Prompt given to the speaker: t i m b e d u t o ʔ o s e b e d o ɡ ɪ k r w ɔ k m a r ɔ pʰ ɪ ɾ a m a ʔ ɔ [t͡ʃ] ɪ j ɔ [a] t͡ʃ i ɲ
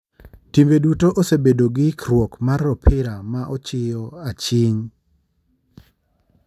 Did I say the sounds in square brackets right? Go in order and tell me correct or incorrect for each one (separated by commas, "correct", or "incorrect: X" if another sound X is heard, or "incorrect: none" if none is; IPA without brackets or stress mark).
correct, correct